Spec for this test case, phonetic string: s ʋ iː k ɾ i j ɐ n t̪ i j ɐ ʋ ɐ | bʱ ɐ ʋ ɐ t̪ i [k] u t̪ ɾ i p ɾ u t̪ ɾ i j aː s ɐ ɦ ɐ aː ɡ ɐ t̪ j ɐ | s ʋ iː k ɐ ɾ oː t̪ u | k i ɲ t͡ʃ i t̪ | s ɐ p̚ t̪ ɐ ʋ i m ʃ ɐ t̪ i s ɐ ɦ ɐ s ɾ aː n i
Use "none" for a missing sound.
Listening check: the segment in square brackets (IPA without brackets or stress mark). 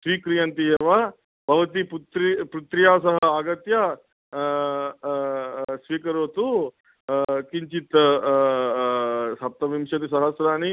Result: p